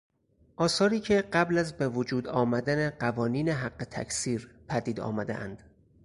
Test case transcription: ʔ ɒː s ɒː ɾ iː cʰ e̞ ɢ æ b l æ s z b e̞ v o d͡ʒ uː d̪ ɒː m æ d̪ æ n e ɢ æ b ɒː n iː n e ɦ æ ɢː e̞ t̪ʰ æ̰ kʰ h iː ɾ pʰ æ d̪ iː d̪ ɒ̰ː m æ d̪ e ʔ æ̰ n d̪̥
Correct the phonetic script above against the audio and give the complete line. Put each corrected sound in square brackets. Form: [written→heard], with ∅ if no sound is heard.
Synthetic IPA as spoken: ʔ ɒː s ɒː ɾ iː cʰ e̞ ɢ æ b l æ [s→∅] z b e̞ v o d͡ʒ uː d̪ ɒː m æ d̪ æ n e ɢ æ [b→v] ɒː n iː n e ɦ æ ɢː e̞ t̪ʰ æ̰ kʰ [h→s] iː ɾ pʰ æ d̪ iː d̪ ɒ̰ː m æ d̪ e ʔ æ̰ n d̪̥